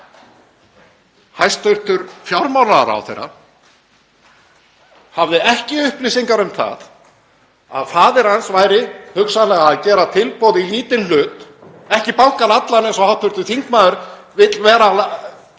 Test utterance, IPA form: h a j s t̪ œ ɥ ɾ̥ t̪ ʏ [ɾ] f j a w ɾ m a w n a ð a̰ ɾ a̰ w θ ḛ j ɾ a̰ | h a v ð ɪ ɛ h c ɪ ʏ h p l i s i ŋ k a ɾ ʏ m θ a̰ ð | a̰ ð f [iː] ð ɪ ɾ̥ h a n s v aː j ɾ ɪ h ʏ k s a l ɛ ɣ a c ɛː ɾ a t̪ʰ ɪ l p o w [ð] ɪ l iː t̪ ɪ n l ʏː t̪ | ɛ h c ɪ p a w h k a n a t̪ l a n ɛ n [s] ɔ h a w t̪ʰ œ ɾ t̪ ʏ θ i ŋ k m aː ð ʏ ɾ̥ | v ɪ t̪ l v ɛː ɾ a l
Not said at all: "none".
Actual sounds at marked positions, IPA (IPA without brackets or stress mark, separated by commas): ɾ, aː, ð, s